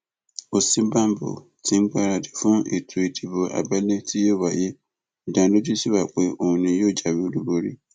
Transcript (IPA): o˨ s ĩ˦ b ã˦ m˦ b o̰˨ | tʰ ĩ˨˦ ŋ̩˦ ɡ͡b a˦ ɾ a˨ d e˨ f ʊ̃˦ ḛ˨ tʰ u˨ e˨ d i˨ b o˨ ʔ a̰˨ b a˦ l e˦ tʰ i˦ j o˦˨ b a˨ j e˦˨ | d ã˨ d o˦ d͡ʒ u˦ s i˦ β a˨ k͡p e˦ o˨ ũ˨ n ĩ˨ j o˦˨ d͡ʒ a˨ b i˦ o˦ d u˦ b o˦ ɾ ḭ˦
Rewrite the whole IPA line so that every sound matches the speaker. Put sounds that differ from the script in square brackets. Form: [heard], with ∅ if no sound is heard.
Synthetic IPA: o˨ s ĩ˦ b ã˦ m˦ b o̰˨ | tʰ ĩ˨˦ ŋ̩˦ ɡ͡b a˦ ɾ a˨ d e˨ f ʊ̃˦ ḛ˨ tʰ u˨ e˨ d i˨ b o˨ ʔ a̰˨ b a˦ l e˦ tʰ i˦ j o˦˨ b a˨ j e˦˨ | d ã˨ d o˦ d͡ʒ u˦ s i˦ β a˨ k͡p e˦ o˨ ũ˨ n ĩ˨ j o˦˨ d͡ʒ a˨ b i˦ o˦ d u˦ b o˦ ɾ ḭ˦